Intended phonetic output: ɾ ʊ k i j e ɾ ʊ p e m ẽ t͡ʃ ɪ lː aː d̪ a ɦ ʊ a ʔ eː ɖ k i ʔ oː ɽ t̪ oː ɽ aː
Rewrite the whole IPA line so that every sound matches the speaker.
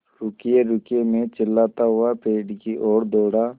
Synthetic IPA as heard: ɾ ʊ k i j e ɾ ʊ k e m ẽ t͡ʃ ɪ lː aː t̪ a ɦ ʊ a p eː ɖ k i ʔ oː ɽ d̪ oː ɽ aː

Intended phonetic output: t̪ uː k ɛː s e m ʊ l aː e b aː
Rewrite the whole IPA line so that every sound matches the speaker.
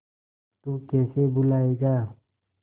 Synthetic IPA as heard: t̪ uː k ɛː s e b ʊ l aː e ɡ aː

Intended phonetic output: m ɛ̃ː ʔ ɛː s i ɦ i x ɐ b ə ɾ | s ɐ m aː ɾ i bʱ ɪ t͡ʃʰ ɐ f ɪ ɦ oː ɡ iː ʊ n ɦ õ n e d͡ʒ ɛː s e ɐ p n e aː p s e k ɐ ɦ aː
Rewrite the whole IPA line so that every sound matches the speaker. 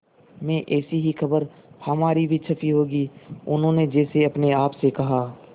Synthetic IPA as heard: m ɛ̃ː ʔ ɛː s i ɦ i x ɐ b ə ɾ | h ɐ m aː ɾ i bʱ i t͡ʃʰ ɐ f i ɦ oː ɡ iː ʊ n ɦ õ n e d͡ʒ ɛː s e ɐ p n e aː p s e k ɐ ɦ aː

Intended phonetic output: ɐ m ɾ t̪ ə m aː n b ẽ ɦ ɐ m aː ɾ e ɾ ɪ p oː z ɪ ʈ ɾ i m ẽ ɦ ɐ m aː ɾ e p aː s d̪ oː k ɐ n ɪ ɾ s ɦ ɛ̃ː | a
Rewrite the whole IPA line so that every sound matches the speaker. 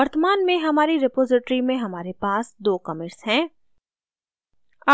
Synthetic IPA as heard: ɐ ɾ t̪ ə m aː n m ẽ ɦ ɐ m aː ɾ i ɾ ɪ p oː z ɪ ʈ ɾ i m ẽ ɦ ɐ m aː ɾ e p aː s d̪ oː k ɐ m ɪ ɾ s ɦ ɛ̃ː | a

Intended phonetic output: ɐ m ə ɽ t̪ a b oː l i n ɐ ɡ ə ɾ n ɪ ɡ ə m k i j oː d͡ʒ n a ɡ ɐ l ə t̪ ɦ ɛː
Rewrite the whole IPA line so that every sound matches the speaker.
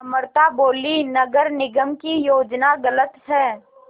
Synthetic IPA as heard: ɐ m ə ɾ t̪ a b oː l i n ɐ ɡ ə ɾ n ɪ ɡ ə m k i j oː d͡ʒ n a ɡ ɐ l ə t̪ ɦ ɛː

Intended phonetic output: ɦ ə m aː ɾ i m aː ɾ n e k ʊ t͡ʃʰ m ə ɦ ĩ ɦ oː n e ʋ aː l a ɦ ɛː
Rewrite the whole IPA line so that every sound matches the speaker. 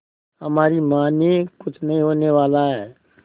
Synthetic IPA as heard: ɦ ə m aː ɾ i m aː n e k ʊ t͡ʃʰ n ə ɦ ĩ ɦ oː n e ʋ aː l a ɦ ɛː

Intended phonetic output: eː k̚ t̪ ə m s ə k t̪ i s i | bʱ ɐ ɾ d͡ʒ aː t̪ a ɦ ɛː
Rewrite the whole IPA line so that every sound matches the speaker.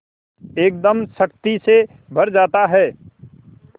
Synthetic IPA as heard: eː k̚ d̪ ə m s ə k t̪ i s e | bʱ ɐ ɾ d͡ʒ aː t̪ a ɦ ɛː

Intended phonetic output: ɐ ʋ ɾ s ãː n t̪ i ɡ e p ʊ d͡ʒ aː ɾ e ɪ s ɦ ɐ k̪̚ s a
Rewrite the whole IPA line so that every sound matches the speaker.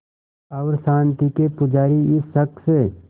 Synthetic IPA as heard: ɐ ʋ ɾ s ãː n t̪ i k e p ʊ d͡ʒ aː ɾ i ɪ s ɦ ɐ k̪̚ s e

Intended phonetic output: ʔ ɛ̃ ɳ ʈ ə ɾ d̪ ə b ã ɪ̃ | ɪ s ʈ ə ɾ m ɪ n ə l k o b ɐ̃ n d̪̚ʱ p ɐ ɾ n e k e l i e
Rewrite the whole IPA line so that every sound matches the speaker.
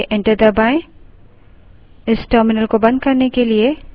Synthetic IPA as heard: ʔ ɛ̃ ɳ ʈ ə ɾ d̪ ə b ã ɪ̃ | ɪ s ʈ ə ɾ m ɪ n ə l k o b ɐ̃ n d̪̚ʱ k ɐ ɾ n e k e l i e

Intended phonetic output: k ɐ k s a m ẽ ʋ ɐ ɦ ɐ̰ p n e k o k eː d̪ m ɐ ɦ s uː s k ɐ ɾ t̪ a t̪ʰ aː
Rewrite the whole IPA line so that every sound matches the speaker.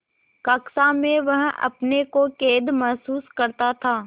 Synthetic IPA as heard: k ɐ k s a m ẽ ʋ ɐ ɦ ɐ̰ p n e k o k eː d̪ m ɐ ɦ s uː s k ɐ ɾ t̪ a t̪ʰ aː

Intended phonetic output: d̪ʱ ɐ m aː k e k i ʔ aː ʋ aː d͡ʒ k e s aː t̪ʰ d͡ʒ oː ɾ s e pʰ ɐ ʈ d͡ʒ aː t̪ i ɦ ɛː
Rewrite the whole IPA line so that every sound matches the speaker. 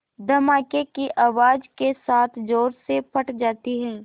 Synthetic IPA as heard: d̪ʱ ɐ m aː k e k i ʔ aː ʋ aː d͡ʒ k e s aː t̪ʰ d͡ʒ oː ɾ s e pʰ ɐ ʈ d͡ʒ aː t̪ i ɦ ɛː

